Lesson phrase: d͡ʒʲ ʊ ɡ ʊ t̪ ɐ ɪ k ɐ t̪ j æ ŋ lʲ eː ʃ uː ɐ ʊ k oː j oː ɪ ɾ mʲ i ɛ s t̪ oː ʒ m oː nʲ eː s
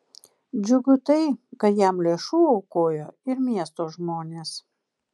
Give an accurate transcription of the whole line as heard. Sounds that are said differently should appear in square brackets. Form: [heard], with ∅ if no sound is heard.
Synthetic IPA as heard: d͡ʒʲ ʊ ɡ ʊ t̪ ɐ ɪ k ɐ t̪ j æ [m] lʲ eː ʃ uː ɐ ʊ k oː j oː ɪ ɾ mʲ i ɛ s t̪ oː ʒ m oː nʲ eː s

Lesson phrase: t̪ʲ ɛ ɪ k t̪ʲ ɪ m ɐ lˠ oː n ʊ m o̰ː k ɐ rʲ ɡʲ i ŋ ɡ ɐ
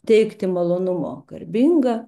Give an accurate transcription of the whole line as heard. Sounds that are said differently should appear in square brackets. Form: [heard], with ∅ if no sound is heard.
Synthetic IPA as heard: t̪ʲ ɛ ɪ k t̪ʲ ɪ m ɐ lˠ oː n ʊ m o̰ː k ɐ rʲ [bʲ] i ŋ ɡ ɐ

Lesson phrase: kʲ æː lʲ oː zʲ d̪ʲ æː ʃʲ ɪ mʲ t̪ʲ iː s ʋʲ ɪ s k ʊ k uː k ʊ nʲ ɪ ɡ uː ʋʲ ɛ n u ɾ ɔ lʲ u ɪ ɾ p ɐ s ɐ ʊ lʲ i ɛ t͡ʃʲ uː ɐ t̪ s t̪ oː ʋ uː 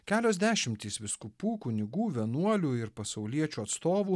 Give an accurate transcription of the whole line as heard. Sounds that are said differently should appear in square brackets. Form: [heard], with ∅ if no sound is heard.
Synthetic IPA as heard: kʲ æː lʲ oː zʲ d̪ʲ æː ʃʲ ɪ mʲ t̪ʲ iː s ʋʲ ɪ s k ʊ [p] uː k ʊ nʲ ɪ ɡ uː ʋʲ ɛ n u [∅] ɔ lʲ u ɪ ɾ p ɐ s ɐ ʊ lʲ i ɛ t͡ʃʲ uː ɐ t̪ s t̪ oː ʋ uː

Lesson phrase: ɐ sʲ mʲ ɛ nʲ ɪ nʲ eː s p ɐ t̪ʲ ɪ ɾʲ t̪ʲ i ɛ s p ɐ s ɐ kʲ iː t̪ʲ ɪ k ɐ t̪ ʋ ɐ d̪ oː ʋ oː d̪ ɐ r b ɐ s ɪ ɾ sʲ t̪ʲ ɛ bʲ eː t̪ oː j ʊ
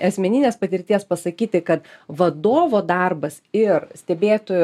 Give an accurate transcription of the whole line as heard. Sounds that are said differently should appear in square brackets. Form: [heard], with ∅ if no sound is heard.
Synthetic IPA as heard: ɐ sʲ mʲ ɛ nʲ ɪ nʲ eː s p ɐ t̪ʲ ɪ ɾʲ t̪ʲ i ɛ s p ɐ s ɐ kʲ iː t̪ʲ ɪ k ɐ t̪ ʋ ɐ d̪ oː ʋ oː d̪ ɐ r b ɐ s ɪ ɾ sʲ t̪ʲ ɛ bʲ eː t̪ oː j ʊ

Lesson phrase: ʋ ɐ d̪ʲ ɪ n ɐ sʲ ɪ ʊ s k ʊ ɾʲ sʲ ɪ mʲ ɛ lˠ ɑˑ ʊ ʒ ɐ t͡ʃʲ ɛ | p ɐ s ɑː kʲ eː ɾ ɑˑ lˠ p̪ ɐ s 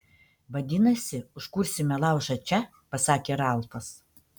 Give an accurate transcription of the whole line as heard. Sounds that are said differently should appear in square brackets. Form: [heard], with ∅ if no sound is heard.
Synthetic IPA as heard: ʋ ɐ d̪ʲ ɪ n ɐ sʲ ɪ ʊ [ʃ] k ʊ ɾʲ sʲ ɪ mʲ ɛ lˠ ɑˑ ʊ ʒ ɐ t͡ʃʲ ɛ | p ɐ s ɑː kʲ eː ɾ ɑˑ lˠ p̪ ɐ s

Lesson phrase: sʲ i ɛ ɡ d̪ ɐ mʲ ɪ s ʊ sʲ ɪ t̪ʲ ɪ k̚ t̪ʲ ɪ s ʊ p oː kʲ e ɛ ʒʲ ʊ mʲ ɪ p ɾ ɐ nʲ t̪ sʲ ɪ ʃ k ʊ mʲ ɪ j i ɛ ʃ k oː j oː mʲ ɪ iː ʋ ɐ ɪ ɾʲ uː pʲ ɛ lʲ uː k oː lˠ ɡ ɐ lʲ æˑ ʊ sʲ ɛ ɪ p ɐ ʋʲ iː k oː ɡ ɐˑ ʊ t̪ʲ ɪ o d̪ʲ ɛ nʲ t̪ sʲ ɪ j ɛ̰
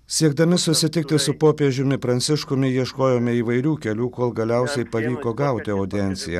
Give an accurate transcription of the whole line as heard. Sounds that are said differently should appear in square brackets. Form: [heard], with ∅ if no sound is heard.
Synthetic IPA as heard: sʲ i ɛ ɡ d̪ ɐ mʲ ɪ s ʊ sʲ ɪ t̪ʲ ɪ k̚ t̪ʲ ɪ s ʊ p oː [pʲ] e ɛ ʒʲ ʊ mʲ ɪ p ɾ ɐ nʲ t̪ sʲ ɪ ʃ k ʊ mʲ ɪ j i ɛ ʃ k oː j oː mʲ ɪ iː ʋ ɐ ɪ ɾʲ uː [kʲ] ɛ lʲ uː k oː lˠ ɡ ɐ lʲ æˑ ʊ sʲ ɛ ɪ p ɐ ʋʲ iː k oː ɡ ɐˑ ʊ t̪ʲ ɪ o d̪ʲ ɛ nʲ t̪ sʲ ɪ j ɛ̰

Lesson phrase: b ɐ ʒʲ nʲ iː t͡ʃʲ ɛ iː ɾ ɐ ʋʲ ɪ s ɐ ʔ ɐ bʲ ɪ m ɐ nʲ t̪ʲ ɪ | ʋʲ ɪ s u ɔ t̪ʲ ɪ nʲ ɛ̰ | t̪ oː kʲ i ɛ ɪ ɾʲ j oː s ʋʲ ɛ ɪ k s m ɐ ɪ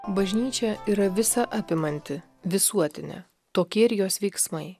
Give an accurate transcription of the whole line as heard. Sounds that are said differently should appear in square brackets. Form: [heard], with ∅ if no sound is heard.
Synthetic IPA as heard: b ɐ ʒʲ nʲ iː t͡ʃʲ ɛ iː ɾ ɐ ʋʲ ɪ s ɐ ʔ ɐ [pʲ] ɪ m ɐ nʲ t̪ʲ ɪ | ʋʲ ɪ s u ɔ t̪ʲ ɪ nʲ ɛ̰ | t̪ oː kʲ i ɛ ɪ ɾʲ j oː s ʋʲ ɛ ɪ k s m ɐ ɪ

